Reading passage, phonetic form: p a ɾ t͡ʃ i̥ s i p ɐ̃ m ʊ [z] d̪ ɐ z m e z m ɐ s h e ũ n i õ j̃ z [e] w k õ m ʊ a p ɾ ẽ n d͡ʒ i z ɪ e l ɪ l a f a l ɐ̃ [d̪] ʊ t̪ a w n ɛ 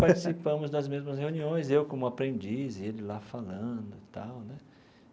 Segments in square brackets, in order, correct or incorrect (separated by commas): correct, correct, correct